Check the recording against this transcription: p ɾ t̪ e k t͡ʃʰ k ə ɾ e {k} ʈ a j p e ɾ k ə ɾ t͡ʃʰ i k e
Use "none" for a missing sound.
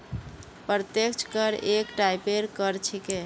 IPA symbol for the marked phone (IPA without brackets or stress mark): k